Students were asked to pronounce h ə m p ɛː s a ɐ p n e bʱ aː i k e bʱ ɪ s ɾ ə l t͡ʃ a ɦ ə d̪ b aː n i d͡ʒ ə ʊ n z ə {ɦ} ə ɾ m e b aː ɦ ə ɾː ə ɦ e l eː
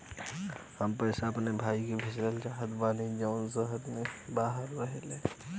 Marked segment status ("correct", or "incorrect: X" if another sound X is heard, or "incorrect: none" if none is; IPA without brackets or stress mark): correct